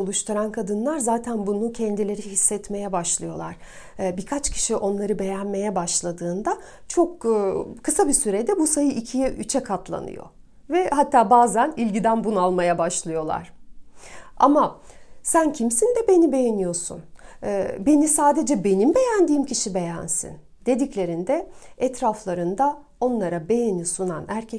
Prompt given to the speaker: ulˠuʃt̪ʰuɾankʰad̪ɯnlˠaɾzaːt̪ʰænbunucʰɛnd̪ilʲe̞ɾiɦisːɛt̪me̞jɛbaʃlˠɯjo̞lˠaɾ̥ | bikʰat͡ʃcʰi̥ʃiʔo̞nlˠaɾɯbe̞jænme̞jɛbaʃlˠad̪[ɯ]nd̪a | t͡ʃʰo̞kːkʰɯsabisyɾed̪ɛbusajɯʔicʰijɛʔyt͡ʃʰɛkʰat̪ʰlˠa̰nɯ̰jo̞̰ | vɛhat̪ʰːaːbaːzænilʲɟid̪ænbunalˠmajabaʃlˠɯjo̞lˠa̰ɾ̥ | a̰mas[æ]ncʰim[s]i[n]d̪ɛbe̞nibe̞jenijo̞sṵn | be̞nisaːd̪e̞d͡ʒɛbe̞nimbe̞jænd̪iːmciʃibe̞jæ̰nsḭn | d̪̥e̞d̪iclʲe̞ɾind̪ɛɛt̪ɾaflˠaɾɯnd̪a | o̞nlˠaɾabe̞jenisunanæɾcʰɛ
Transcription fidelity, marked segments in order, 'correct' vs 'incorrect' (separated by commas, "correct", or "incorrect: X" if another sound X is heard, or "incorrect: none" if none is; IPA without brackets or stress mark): incorrect: ɯː, correct, correct, correct